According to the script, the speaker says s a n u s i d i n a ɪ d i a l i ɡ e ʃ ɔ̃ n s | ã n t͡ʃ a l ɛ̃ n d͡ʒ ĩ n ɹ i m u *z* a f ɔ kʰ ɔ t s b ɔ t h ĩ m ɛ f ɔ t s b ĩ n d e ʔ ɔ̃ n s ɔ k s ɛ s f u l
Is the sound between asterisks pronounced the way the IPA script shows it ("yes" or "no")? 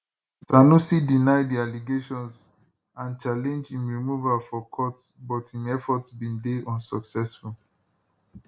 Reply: no